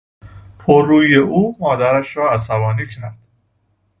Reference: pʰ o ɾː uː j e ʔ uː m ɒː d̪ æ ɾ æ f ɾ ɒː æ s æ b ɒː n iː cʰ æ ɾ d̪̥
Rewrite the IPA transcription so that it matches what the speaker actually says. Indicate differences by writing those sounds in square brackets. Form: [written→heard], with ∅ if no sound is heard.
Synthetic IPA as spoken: pʰ o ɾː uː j e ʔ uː m ɒː d̪ æ ɾ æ [f→ʃ] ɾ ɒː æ s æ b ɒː n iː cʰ æ ɾ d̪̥